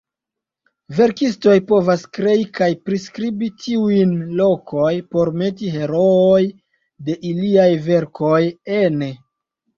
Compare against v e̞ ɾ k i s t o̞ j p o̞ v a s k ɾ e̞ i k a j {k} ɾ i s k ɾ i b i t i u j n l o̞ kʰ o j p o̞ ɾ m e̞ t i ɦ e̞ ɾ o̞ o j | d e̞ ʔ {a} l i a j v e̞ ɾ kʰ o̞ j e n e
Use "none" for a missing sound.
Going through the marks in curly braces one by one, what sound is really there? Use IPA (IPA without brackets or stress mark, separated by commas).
p, i